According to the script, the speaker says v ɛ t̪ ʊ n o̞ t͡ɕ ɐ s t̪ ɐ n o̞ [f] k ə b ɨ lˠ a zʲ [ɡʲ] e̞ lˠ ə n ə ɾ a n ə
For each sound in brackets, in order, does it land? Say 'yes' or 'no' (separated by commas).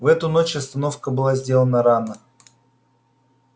yes, no